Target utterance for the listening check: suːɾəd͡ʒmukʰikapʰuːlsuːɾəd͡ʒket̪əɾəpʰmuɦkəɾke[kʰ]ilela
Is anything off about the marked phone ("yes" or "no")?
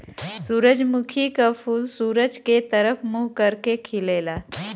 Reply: no